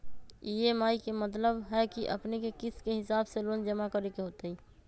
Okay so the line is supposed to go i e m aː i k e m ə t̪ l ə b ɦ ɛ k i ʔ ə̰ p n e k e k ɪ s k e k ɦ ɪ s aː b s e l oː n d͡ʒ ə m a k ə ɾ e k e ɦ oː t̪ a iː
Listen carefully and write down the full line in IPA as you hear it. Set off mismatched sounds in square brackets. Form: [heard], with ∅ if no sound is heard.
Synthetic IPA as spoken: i e m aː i k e m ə t̪ l ə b ɦ ɛ k i ʔ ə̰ p n e k e k ɪ s k e [∅] ɦ ɪ s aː b s e l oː n d͡ʒ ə m a k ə ɾ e k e ɦ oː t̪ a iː